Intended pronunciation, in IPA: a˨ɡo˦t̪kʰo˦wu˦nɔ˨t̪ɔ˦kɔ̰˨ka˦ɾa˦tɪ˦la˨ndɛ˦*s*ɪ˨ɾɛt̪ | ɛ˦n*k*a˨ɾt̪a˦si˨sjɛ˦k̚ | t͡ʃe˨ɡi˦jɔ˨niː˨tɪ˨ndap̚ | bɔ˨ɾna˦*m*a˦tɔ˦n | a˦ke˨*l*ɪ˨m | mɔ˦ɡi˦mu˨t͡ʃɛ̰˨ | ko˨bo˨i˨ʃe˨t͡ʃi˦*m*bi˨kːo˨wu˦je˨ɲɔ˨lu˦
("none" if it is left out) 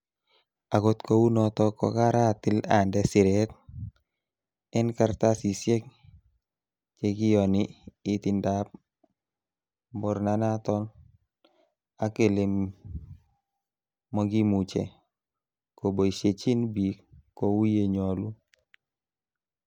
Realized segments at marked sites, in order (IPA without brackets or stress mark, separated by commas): s, k, n, l, n